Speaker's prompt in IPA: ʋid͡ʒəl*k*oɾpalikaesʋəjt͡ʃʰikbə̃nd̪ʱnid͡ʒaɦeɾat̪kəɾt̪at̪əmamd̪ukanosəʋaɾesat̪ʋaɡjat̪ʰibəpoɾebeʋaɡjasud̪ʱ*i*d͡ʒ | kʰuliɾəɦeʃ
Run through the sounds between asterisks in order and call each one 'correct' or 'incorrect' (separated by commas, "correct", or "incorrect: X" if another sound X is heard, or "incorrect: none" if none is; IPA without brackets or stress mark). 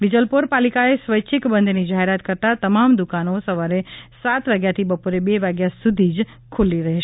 incorrect: p, correct